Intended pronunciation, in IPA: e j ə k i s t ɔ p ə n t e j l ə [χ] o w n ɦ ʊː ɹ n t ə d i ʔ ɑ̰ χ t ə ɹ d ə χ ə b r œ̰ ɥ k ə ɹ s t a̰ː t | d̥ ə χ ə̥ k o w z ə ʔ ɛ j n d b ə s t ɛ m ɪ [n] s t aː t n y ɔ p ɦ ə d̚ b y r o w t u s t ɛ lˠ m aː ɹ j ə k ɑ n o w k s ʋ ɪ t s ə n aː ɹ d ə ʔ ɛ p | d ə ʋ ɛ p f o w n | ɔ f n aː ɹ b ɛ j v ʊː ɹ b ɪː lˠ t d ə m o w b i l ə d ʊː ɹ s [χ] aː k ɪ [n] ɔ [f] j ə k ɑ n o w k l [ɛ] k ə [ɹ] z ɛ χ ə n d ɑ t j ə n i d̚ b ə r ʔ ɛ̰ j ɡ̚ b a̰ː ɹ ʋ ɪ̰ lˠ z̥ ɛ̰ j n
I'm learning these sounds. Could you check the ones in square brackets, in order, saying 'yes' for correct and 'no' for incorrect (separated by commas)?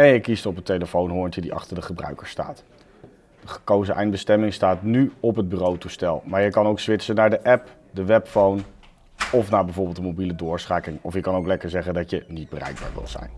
no, no, yes, no, yes, yes, yes